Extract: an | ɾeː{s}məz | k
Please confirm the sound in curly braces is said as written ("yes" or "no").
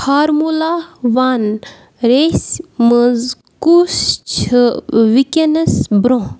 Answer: yes